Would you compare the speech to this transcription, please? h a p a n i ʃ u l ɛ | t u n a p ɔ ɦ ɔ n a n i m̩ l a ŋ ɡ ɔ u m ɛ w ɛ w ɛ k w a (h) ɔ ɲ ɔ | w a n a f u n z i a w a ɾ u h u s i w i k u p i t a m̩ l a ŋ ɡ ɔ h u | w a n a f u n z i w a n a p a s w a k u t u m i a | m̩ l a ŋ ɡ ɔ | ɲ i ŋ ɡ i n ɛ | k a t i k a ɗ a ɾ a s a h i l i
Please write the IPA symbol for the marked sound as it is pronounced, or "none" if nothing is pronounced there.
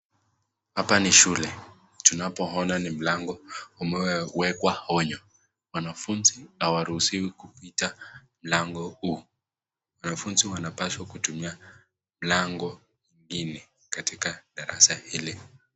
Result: h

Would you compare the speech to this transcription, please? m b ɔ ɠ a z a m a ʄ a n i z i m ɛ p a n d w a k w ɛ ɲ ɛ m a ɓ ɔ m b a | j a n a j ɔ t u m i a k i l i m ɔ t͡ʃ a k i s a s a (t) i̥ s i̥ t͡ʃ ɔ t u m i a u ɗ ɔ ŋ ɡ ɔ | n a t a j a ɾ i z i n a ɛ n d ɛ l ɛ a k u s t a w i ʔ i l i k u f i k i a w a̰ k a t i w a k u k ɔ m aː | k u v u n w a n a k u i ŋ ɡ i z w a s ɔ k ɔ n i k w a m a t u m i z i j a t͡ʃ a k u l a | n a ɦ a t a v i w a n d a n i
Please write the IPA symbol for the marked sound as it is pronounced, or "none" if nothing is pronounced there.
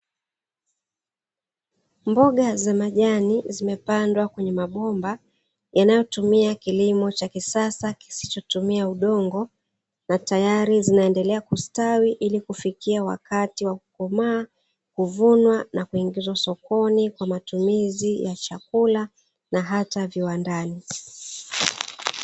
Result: k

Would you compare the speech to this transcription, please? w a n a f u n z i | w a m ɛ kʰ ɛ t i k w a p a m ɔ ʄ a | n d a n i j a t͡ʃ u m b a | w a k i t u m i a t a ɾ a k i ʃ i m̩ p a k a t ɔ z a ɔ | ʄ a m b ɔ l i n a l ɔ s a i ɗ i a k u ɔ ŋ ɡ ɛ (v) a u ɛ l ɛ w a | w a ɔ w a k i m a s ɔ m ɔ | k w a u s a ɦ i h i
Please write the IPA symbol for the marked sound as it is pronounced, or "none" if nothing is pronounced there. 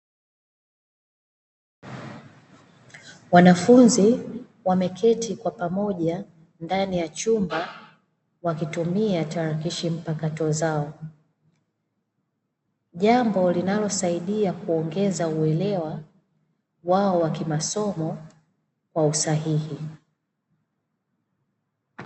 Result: z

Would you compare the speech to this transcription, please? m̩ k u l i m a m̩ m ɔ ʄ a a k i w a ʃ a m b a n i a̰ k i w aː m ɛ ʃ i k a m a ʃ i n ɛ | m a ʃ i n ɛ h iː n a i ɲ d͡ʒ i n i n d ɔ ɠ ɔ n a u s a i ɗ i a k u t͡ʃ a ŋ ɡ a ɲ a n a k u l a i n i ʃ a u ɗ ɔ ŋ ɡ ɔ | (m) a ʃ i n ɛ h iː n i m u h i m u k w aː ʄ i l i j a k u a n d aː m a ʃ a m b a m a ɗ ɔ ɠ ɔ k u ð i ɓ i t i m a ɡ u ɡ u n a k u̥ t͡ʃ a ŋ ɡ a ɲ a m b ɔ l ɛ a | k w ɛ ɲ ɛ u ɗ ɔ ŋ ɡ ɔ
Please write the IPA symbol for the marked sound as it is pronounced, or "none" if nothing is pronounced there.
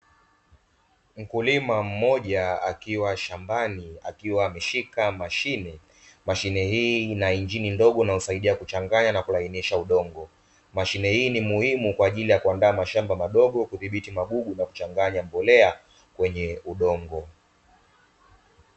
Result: m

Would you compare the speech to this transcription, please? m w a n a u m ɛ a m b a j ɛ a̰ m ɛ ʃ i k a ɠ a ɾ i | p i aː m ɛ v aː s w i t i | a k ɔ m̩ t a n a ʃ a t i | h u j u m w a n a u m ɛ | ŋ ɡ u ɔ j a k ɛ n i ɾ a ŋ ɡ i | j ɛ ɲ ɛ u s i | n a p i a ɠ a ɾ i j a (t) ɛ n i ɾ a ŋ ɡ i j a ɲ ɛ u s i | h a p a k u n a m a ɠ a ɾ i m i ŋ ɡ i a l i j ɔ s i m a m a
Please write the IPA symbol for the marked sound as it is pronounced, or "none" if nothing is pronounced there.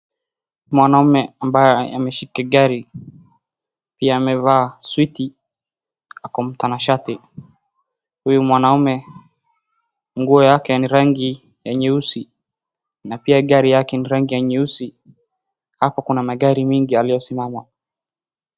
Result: k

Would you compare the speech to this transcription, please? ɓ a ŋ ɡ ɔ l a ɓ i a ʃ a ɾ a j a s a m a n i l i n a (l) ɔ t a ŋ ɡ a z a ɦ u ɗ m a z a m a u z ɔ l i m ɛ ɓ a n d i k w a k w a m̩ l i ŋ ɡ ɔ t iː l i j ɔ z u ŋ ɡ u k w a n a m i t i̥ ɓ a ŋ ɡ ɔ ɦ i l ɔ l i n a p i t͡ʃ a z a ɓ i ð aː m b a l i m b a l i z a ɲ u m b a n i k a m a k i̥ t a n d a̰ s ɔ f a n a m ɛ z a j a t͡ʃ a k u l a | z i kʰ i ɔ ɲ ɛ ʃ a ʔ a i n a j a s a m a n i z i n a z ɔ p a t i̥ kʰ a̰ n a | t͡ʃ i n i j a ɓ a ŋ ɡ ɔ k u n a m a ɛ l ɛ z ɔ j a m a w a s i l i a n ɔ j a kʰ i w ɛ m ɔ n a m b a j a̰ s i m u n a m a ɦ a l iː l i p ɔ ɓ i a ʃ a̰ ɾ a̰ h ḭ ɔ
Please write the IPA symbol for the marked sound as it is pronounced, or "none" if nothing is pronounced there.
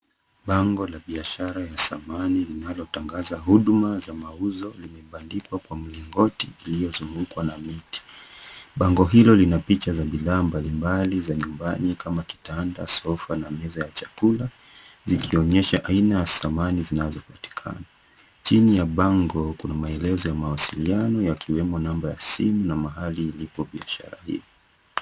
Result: l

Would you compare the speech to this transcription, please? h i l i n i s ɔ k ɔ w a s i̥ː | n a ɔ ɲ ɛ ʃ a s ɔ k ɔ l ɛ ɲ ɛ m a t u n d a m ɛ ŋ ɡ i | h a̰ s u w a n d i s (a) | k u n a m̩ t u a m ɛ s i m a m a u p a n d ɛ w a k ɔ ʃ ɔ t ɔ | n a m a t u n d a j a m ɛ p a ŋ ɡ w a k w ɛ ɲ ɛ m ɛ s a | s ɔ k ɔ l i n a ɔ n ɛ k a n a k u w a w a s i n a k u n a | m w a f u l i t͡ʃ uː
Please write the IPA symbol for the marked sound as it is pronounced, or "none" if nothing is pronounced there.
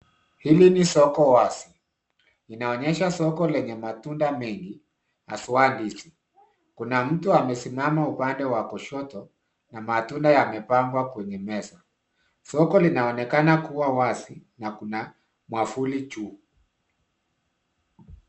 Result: i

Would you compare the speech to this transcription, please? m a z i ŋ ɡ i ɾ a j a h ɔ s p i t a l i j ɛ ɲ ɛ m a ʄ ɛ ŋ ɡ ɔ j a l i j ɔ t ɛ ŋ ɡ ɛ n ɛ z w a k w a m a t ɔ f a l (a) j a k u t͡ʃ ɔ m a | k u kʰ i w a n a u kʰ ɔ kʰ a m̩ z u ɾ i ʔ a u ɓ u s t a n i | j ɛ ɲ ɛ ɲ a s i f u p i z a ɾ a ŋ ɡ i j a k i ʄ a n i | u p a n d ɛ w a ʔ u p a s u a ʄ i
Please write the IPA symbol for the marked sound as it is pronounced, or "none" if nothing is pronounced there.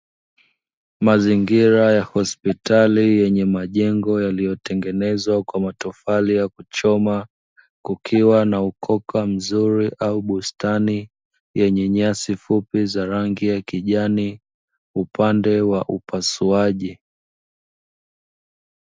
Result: i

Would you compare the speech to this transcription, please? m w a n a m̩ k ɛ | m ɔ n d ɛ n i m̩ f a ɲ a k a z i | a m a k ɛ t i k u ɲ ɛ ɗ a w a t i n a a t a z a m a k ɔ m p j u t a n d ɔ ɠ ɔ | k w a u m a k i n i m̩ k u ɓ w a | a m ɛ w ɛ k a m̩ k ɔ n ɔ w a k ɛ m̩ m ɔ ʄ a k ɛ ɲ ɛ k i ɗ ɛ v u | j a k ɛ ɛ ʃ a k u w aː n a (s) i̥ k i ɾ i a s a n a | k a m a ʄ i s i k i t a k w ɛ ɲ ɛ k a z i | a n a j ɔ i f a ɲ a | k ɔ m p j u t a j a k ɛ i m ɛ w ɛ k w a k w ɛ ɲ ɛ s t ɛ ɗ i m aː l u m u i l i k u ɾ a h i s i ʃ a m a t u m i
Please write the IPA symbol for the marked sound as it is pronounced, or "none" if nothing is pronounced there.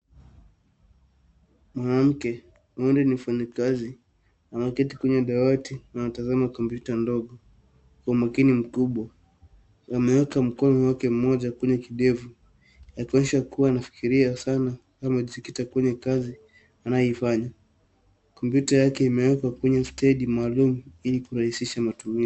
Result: f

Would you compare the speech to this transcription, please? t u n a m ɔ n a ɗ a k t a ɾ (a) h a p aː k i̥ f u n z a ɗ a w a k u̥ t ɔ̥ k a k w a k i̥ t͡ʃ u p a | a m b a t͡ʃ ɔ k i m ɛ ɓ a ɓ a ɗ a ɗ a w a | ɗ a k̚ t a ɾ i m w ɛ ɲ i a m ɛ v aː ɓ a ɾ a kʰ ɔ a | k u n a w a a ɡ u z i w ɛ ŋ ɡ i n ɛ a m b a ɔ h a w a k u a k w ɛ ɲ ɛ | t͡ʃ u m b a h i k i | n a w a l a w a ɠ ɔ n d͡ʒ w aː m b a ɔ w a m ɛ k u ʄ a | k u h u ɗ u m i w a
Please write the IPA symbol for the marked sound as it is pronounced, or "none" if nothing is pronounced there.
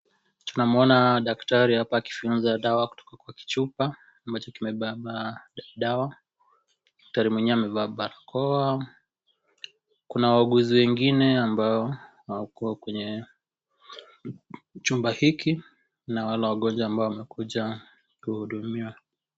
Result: i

